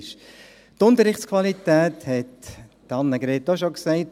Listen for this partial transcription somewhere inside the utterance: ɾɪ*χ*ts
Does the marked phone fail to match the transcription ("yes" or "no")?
no